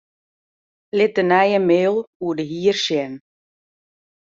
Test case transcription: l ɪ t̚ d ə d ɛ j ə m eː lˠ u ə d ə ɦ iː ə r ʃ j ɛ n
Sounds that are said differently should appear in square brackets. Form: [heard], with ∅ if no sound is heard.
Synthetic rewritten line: l ɪ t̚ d ə [n] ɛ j ə m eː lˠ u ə d ə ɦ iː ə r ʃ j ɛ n